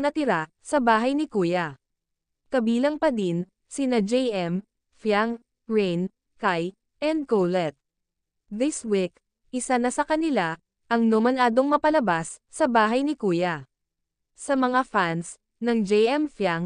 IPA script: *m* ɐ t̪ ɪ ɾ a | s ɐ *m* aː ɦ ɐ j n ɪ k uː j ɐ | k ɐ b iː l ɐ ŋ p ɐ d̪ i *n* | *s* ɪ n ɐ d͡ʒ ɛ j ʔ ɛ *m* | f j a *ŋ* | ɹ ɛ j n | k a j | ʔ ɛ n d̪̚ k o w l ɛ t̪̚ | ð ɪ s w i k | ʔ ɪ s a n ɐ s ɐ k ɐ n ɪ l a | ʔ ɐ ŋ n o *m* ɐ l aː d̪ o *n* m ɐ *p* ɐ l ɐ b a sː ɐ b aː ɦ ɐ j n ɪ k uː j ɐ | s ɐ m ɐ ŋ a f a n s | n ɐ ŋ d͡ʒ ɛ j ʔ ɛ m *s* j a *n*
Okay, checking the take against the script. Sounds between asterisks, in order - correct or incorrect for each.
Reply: incorrect: n, incorrect: b, correct, correct, correct, correct, correct, incorrect: ŋ, correct, incorrect: f, incorrect: ŋ

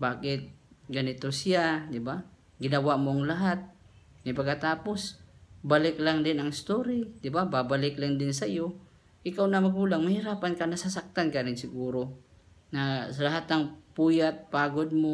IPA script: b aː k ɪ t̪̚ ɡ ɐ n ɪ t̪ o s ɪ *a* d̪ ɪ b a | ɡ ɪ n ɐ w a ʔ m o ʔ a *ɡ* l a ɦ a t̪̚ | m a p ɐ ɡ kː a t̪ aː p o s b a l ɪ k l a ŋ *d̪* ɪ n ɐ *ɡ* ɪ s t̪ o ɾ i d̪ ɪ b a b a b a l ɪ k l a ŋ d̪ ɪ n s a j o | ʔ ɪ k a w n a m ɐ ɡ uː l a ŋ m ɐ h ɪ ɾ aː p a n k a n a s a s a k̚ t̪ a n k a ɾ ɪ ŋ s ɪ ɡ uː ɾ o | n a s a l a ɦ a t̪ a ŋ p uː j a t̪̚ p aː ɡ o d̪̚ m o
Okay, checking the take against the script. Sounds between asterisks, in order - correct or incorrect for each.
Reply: correct, incorrect: ŋ, correct, incorrect: ŋ

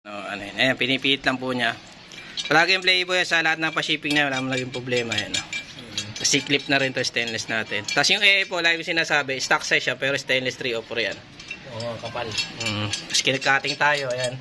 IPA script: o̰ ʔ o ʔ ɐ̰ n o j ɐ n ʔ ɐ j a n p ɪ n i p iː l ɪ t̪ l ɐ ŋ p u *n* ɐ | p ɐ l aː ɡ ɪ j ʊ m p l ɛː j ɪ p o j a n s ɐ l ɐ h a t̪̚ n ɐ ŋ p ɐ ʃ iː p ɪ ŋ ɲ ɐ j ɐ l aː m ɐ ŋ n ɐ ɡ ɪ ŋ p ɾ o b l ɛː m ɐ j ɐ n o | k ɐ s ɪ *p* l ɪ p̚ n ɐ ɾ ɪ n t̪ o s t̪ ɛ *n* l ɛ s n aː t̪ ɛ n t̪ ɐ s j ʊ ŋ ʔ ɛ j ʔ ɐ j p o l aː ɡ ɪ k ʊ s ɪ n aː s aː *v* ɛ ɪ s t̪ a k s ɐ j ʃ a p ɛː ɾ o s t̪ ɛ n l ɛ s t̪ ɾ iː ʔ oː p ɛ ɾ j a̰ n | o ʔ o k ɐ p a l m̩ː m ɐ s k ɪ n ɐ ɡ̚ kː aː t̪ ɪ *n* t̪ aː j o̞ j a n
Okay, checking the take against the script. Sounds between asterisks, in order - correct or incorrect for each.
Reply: incorrect: ɲ, incorrect: k, correct, incorrect: b, incorrect: ŋ

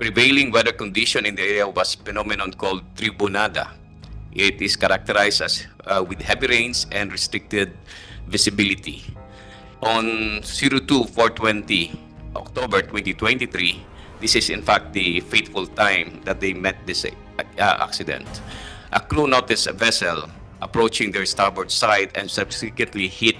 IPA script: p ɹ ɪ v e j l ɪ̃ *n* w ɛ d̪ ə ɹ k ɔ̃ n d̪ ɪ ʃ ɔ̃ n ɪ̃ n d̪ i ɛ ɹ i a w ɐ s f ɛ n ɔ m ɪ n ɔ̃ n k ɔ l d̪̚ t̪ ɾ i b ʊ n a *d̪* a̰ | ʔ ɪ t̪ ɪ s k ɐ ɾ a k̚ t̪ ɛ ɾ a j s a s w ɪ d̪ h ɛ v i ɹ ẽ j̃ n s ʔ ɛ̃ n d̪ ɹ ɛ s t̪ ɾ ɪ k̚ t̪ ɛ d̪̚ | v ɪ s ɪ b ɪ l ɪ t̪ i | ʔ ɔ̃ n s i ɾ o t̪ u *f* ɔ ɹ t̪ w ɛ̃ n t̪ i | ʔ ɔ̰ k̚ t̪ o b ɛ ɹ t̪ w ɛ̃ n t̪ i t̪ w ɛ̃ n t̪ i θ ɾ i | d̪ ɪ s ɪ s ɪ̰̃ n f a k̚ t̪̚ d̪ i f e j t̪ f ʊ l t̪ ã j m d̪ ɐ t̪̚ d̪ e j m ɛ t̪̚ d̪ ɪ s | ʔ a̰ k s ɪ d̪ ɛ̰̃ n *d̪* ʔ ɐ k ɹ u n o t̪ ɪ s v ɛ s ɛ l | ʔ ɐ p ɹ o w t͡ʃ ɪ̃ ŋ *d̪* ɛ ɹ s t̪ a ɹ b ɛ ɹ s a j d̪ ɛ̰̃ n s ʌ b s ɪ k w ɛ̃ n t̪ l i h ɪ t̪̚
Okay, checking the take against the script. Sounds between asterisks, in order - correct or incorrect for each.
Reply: incorrect: ŋ, correct, correct, incorrect: t̪, correct

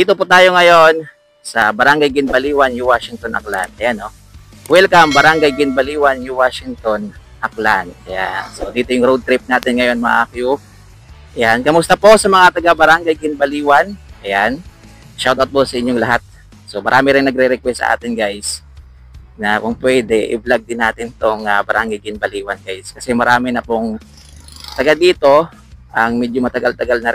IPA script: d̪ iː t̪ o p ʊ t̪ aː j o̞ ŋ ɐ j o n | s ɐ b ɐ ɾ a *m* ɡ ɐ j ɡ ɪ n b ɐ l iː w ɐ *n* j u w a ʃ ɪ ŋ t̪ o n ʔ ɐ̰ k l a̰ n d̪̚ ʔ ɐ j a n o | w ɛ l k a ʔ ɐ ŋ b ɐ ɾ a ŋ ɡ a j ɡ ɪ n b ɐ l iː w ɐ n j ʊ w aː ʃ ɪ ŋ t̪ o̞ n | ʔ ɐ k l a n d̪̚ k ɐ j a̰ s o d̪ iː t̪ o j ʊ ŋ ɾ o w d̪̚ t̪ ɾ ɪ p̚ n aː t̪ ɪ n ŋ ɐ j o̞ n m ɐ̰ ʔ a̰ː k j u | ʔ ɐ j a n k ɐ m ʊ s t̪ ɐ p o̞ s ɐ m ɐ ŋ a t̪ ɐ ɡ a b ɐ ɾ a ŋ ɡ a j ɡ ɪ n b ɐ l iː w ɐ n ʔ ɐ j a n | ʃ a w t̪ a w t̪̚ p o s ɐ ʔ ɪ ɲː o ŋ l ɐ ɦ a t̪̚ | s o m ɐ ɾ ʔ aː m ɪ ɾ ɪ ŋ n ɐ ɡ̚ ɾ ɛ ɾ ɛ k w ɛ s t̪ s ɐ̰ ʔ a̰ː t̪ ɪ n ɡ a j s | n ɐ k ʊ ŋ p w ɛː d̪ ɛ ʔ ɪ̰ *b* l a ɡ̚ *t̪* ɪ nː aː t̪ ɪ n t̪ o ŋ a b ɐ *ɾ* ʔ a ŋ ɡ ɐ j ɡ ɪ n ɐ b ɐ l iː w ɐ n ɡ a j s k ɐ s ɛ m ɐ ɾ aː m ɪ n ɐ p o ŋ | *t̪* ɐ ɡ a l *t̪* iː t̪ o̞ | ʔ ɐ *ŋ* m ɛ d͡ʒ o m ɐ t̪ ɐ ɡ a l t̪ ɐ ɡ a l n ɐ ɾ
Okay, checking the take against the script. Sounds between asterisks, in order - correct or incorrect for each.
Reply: incorrect: ŋ, correct, correct, incorrect: d̪, correct, correct, incorrect: d̪, correct

